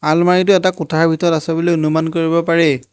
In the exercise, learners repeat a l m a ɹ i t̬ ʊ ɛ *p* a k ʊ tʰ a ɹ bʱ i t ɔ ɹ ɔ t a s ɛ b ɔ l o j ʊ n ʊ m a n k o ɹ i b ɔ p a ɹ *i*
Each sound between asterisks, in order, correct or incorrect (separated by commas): incorrect, incorrect